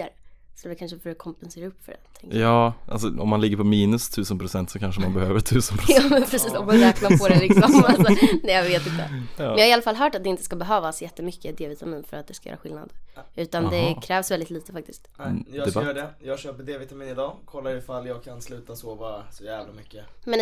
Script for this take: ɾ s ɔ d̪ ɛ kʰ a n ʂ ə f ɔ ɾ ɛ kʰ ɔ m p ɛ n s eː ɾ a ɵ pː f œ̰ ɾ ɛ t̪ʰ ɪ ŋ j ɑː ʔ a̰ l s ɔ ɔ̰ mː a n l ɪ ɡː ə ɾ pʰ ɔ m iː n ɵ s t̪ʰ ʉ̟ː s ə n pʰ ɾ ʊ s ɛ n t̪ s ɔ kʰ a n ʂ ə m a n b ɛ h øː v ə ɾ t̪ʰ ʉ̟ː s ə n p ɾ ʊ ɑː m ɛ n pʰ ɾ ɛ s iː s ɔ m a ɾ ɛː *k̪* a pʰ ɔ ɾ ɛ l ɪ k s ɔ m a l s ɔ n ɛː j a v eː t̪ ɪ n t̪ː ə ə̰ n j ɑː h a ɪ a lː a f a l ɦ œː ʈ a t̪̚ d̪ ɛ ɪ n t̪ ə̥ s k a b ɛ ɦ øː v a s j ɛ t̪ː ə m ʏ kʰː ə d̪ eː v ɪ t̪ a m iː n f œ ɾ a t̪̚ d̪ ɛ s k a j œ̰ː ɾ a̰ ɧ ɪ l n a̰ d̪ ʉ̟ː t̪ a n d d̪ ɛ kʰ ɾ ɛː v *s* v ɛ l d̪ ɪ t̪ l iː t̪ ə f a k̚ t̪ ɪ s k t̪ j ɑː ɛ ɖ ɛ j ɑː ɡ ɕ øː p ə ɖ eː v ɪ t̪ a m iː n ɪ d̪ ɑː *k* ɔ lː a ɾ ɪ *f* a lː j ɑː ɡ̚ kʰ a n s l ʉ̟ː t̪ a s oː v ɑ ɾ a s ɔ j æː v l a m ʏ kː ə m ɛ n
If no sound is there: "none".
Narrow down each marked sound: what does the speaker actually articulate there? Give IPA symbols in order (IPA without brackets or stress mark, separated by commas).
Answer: k̪, s, kʰ, f